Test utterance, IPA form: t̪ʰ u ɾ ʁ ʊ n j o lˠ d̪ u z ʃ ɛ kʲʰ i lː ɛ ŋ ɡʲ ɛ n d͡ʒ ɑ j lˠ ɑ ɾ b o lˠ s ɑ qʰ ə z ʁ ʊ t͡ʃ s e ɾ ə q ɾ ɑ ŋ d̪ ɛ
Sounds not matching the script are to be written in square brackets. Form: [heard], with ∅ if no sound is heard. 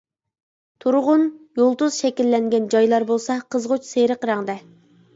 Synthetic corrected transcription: t̪ʰ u ɾ ʁ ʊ n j o lˠ d̪ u z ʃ ɛ [kʲ] i lː ɛ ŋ ɡʲ ɛ n d͡ʒ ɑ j lˠ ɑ ɾ b o lˠ s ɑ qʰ ə z ʁ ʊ t͡ʃ s e ɾ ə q ɾ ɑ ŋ d̪ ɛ